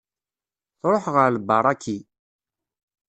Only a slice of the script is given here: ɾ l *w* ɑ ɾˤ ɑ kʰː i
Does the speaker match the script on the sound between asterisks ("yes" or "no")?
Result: no